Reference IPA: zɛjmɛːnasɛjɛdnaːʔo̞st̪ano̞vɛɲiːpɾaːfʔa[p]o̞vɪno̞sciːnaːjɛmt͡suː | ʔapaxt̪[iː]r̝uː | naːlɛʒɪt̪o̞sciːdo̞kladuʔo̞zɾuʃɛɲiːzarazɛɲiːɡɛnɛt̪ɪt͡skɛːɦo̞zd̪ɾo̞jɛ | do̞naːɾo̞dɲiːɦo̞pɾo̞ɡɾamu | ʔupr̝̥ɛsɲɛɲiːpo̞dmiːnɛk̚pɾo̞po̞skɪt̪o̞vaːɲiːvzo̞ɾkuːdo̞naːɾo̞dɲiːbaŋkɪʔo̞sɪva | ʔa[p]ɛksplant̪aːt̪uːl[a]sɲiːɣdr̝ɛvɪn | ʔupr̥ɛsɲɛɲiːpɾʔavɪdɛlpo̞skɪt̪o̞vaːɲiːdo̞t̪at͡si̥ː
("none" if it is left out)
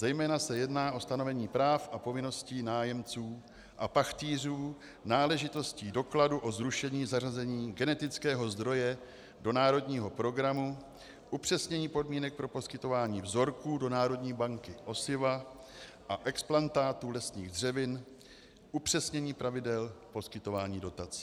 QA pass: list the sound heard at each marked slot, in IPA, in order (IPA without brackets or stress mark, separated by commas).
p, iː, ʔ, ɛ